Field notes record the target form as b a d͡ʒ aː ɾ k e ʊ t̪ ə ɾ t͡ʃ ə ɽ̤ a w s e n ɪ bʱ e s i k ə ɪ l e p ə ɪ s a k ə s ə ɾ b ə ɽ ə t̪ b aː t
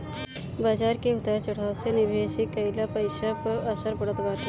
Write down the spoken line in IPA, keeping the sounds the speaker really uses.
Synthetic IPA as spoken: b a d͡ʒ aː ɾ k e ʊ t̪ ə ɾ t͡ʃ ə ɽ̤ a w s e n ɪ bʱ e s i k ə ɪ l a p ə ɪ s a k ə s ə ɾ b ə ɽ ə t̪ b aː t